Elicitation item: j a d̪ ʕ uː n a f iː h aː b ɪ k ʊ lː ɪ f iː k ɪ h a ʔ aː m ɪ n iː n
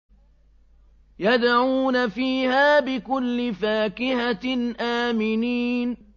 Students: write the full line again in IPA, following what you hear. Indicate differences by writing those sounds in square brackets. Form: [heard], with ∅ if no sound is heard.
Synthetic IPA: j a d̪ ʕ uː n a f iː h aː b ɪ k ʊ lː ɪ f [aː] k ɪ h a ʔ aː m ɪ n iː n